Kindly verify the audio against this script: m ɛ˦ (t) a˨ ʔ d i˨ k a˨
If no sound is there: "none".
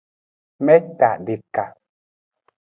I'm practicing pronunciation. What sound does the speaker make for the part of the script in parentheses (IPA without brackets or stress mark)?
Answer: t